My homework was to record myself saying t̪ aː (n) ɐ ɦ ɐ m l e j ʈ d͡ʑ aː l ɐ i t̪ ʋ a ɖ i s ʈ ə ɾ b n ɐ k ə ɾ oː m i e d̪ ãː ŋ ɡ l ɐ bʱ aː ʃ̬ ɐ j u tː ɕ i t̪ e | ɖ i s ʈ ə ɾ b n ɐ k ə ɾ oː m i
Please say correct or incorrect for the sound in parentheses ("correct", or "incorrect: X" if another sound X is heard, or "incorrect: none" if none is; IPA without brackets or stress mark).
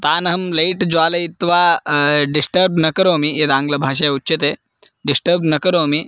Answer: correct